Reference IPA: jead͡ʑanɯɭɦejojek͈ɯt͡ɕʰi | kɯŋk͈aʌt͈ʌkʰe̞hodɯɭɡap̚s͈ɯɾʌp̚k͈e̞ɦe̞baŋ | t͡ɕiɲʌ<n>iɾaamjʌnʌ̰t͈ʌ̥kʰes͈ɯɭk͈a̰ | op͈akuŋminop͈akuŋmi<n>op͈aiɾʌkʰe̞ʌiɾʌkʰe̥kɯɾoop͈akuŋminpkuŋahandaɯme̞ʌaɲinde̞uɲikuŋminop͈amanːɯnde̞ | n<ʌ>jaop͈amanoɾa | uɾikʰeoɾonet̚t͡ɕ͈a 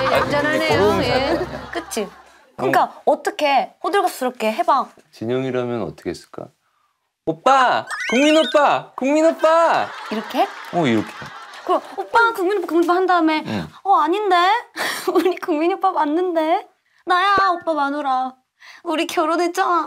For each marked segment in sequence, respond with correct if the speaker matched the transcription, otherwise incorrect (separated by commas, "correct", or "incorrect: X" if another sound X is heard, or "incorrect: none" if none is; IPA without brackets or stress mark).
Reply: incorrect: ŋ, correct, incorrect: a